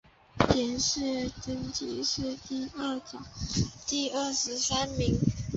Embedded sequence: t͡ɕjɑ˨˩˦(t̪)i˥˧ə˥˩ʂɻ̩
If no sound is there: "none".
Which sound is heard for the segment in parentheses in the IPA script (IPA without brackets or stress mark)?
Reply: t̪